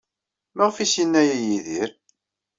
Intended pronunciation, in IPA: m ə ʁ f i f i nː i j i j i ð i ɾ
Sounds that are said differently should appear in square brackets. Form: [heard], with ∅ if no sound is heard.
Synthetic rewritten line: m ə ʁ f i [s] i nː [æ] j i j i ð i ɾ